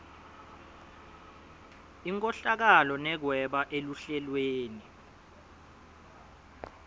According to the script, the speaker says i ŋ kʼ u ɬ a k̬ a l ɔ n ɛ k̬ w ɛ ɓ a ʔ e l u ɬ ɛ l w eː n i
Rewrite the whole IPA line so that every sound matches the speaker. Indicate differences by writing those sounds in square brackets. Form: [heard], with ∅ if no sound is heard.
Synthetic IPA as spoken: i ŋ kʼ [ɔ] ɬ a k̬ a l ɔ n ɛ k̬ w ɛ ɓ a ʔ e l u ɬ ɛ l w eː n i